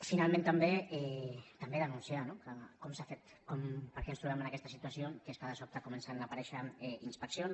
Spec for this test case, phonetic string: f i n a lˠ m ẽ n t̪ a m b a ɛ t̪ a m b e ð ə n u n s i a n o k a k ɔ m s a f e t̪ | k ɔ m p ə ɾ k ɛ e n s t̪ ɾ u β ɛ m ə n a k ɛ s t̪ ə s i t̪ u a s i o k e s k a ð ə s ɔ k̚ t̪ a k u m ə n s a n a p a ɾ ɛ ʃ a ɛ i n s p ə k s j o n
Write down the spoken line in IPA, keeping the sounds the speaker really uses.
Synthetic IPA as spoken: f i n a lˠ m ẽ n t̪ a m b e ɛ t̪ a m b e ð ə n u n s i a n o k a k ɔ m s a f e t̪ | k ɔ m p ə ɾ k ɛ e n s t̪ ɾ u β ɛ m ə n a k ɛ s t̪ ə s i t̪ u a s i o k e s k a ð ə s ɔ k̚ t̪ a k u m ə n s a n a p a ɾ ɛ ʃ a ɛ i n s p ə k s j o n